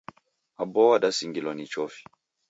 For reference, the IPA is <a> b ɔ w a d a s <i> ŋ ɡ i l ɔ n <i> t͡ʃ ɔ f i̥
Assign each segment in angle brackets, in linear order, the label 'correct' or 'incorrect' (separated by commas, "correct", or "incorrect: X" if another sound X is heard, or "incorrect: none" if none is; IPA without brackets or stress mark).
correct, correct, correct